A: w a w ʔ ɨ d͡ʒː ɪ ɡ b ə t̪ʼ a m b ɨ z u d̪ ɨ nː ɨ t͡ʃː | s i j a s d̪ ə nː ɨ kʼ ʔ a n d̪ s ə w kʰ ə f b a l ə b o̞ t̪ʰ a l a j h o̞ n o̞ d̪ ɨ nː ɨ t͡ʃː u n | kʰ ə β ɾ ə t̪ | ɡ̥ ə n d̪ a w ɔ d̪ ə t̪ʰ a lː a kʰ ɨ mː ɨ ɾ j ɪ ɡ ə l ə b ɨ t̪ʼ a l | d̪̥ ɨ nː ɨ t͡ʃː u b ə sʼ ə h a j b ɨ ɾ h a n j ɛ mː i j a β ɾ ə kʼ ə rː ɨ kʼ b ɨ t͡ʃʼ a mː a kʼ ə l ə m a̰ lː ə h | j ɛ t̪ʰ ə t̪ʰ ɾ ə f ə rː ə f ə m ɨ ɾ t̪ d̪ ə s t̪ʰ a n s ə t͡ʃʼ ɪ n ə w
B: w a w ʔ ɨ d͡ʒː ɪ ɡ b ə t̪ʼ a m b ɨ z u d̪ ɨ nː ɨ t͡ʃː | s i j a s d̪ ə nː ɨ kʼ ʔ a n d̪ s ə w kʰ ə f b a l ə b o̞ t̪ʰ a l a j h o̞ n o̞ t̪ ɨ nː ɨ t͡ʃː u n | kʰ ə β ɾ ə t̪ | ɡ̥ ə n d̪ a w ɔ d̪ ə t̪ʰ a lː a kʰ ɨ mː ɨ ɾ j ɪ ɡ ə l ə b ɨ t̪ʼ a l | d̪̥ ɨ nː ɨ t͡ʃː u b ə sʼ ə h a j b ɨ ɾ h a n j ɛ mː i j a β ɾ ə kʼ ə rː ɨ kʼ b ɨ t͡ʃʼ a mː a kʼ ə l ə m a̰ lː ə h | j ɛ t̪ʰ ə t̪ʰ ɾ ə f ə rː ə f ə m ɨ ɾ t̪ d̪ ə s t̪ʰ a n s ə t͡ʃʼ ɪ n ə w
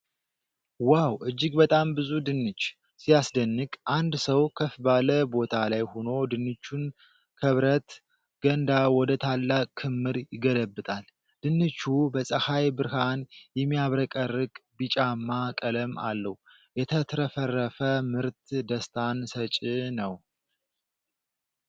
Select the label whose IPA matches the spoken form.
A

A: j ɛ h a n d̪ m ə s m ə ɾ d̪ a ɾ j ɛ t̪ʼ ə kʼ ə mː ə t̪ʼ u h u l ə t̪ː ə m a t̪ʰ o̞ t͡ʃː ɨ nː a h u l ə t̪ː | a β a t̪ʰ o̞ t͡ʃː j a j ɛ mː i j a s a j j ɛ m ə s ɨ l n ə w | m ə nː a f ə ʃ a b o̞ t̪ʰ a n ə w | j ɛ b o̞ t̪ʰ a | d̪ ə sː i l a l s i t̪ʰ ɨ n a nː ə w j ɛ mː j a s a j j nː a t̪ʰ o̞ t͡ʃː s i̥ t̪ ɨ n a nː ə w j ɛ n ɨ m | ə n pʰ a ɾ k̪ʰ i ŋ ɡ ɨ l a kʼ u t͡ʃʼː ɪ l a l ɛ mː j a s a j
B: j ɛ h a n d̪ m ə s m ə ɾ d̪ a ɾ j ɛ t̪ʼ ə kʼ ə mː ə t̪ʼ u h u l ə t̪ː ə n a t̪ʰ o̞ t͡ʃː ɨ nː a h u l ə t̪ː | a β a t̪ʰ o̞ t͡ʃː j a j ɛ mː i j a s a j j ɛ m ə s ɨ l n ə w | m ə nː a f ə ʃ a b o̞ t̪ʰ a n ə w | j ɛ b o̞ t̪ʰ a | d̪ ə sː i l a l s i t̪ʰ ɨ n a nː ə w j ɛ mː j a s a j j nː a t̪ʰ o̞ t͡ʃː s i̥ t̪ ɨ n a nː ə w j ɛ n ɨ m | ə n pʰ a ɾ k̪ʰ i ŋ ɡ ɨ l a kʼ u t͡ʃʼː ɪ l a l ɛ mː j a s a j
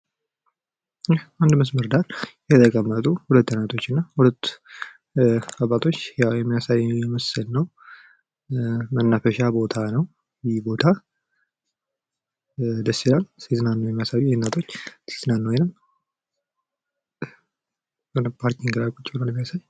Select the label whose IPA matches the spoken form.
B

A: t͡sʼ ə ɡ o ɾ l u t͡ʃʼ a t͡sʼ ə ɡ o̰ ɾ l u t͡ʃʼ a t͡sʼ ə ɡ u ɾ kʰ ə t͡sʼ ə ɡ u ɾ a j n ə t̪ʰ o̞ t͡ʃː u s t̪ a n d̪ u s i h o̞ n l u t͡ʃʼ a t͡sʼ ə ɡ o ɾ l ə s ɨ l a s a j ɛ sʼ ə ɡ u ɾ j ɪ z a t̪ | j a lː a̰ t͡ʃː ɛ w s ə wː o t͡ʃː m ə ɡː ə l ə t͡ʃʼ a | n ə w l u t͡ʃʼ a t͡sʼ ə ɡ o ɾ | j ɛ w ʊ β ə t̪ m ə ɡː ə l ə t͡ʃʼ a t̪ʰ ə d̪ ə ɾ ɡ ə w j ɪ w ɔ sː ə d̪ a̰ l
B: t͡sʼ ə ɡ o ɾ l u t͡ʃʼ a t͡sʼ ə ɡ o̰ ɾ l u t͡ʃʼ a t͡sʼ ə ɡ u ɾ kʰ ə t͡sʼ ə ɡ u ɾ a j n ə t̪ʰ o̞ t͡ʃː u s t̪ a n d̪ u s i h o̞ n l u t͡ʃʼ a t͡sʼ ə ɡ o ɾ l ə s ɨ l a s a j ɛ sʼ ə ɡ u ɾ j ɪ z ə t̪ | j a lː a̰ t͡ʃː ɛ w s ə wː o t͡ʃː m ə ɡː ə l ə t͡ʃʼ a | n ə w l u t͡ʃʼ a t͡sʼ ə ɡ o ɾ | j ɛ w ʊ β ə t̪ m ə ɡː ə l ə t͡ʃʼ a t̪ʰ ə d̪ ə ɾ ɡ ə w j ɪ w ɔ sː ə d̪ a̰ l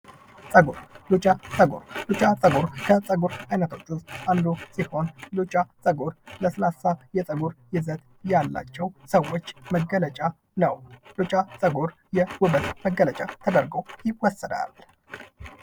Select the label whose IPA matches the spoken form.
B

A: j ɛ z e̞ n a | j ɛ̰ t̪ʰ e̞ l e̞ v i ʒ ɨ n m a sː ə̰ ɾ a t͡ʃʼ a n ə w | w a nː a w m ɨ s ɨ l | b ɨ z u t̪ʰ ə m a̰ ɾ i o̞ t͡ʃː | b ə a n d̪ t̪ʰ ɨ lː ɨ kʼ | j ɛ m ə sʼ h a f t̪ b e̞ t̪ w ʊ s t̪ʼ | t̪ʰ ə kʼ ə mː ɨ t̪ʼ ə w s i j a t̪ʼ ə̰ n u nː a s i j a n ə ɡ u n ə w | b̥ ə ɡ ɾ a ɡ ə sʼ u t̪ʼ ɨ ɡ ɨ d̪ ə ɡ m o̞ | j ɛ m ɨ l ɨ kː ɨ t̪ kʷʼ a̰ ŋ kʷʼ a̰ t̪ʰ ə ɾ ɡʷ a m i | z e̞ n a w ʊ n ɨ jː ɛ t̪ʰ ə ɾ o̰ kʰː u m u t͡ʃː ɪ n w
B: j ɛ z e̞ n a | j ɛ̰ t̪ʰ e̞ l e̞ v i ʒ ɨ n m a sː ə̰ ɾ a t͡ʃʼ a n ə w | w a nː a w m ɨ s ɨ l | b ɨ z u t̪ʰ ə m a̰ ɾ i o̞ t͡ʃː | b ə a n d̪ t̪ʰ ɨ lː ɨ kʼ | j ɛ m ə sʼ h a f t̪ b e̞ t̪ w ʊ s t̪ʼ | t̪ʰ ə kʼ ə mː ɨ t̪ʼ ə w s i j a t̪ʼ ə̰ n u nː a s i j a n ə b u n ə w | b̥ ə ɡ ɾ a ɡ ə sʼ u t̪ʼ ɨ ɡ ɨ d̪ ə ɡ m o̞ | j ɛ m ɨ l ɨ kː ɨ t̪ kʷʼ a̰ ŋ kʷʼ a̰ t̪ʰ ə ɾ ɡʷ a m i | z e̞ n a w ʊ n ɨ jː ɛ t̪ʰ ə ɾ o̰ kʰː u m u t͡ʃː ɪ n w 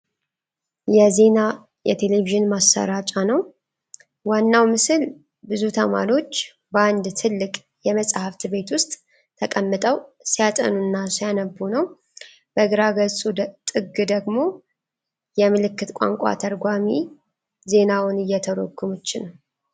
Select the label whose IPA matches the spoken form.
B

